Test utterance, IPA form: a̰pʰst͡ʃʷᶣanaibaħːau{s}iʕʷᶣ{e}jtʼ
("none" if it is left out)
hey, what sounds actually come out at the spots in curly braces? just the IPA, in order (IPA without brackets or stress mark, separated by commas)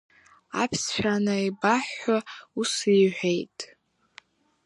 s, e